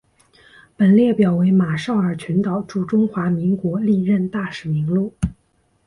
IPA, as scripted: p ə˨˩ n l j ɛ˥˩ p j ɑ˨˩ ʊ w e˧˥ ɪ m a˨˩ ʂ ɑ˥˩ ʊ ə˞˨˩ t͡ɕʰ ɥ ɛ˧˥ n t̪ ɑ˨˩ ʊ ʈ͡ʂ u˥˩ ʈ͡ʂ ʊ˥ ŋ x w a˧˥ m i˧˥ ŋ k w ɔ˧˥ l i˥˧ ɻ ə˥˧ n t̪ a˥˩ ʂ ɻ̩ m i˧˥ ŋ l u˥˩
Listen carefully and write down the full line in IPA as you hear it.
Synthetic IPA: p ə˨˩ n l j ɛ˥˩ p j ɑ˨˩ ʊ w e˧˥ ɪ m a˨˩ ʂ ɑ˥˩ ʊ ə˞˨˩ t͡ɕʰ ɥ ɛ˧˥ n t̪ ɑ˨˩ ʊ ʈ͡ʂ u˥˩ ʈ͡ʂ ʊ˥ ŋ x w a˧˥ m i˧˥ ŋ k w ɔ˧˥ l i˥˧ ɻ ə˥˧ n t̪ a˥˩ ʂ ɻ̩ m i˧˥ ŋ l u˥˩